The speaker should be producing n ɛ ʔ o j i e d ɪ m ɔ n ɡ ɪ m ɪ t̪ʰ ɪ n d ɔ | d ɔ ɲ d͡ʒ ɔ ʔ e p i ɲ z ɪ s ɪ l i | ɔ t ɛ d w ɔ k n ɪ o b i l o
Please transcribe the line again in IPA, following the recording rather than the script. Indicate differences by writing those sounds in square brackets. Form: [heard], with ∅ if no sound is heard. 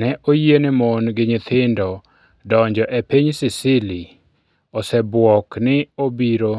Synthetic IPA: n ɛ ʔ o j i e [n] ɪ m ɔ n ɡ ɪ [ɲ] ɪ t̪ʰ ɪ n d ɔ | d ɔ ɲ d͡ʒ ɔ ʔ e p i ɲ [s] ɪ s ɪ l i | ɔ [s] ɛ [b] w ɔ k n ɪ o b i [ɾ] o